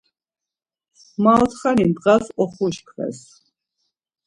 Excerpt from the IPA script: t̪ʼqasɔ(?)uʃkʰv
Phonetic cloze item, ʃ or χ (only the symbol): χ